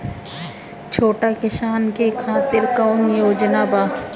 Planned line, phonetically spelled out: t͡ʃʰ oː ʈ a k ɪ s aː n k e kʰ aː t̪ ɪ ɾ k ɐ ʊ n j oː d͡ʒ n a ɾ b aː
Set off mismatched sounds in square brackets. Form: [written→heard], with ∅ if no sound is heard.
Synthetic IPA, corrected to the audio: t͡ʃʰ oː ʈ a k ɪ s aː n k e kʰ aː t̪ ɪ ɾ k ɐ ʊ n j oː d͡ʒ n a [ɾ→∅] b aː